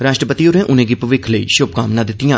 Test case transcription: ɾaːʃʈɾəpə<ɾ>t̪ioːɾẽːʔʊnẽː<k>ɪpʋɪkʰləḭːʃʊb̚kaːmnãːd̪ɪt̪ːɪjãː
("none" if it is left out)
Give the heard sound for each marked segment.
none, ɡ

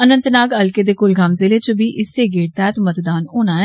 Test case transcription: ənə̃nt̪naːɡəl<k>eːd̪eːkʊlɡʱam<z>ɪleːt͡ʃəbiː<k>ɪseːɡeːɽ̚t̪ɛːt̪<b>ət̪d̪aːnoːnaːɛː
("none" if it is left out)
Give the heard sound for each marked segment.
k, z, ʔ, m

